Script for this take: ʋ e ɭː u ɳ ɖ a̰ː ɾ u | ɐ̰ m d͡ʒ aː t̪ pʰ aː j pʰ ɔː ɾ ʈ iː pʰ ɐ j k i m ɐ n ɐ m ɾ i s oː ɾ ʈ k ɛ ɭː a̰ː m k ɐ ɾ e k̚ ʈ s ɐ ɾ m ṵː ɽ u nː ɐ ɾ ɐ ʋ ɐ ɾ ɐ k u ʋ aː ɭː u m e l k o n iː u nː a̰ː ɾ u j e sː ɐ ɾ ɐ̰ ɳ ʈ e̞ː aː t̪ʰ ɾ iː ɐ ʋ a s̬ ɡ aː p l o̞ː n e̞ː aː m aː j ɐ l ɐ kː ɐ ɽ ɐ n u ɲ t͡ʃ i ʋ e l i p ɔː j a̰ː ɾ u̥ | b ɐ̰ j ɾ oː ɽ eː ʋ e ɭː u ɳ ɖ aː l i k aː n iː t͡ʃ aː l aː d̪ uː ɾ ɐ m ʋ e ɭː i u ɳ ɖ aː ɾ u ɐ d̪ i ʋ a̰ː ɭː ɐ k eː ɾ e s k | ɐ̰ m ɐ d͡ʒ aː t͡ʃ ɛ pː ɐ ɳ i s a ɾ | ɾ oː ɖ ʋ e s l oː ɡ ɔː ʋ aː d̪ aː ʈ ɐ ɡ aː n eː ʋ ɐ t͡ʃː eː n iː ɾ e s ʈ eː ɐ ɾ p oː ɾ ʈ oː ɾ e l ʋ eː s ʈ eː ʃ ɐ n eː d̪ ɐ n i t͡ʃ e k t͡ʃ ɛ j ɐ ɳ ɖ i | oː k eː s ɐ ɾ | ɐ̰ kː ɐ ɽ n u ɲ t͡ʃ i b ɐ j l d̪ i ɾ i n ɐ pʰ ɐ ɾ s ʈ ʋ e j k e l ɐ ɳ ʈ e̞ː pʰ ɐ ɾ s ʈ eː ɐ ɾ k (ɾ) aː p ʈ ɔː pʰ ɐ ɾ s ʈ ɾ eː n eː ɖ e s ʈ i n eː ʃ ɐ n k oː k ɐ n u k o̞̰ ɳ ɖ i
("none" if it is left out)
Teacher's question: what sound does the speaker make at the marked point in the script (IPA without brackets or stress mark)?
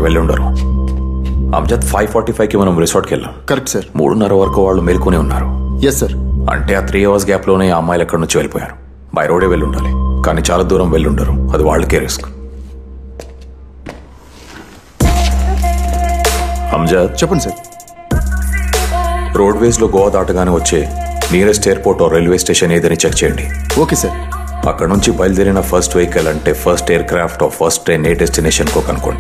ɾ